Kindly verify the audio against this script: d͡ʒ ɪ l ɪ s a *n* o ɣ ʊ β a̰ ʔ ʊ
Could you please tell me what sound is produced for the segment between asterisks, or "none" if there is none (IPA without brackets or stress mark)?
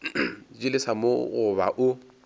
m